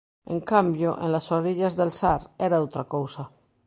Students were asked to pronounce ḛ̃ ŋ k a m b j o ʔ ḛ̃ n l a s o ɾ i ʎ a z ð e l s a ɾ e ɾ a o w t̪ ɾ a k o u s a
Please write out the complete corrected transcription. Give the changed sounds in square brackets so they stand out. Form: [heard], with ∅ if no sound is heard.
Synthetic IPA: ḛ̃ ŋ k a m b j o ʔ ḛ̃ n l a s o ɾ i ʎ a z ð e l s a ɾ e ɾ a o w t̪ ɾ a k o [w] s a